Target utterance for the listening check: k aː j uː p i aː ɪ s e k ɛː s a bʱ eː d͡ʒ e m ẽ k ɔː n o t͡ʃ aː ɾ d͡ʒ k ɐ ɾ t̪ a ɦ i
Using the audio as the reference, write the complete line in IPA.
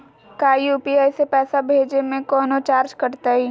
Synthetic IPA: k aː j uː p i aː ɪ s e p ɛː s a bʱ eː d͡ʒ e m ẽ k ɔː n o t͡ʃ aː ɾ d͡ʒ k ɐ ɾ t̪ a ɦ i